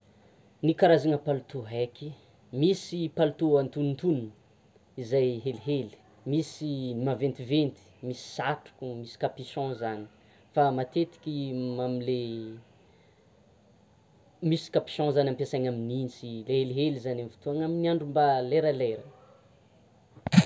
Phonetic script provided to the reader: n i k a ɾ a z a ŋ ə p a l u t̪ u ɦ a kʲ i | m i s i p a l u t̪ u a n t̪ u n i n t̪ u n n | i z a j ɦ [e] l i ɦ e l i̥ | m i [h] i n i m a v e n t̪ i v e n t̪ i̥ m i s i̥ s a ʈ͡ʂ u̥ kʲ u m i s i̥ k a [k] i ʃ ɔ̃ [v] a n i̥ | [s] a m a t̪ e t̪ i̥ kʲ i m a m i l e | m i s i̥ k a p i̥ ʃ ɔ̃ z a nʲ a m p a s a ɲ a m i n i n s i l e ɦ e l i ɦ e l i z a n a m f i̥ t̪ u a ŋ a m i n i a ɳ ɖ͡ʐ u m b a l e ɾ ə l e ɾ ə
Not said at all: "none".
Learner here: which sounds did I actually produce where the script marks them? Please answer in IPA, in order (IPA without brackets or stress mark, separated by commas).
e, s, p, z, f